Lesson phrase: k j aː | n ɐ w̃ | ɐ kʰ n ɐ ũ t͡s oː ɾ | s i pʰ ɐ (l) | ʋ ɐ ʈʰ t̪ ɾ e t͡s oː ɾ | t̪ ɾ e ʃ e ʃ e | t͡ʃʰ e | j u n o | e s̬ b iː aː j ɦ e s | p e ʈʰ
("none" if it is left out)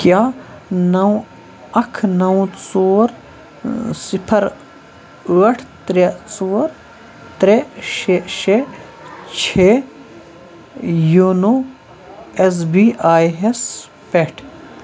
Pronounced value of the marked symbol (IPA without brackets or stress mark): ɾ